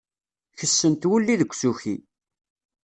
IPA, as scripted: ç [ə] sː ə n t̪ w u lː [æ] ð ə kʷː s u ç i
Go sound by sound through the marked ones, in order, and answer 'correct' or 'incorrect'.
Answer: correct, incorrect: i

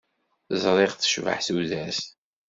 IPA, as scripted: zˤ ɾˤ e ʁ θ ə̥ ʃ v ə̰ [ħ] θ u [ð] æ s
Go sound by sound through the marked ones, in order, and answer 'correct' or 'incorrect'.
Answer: correct, correct

